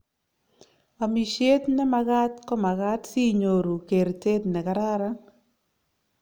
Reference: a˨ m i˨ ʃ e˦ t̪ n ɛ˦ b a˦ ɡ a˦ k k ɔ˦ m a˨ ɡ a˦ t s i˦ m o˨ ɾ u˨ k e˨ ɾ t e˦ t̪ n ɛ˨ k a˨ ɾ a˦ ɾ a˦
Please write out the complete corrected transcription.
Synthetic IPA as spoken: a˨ m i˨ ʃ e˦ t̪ n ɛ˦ m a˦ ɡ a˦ t k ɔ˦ m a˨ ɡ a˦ t s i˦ ɲ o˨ ɾ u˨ k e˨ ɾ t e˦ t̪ n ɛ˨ k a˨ ɾ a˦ ɾ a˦